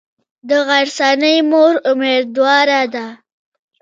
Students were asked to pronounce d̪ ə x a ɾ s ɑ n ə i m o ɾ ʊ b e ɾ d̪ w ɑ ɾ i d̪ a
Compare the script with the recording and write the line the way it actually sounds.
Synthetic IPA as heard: d̪ ə ɣ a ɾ s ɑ n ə j m o ɾ ʊ m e ɾ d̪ w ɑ ɾ a d̪ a